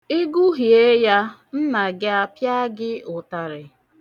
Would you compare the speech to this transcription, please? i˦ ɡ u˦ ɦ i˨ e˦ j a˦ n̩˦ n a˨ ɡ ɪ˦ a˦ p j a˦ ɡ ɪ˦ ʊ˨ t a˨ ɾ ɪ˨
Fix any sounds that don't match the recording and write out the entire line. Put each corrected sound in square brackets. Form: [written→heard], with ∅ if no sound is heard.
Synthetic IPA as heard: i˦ ɡ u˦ ɦ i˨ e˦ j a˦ n̩˦ n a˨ ɡ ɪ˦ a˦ p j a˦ ɡ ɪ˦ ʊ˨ t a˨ ɾ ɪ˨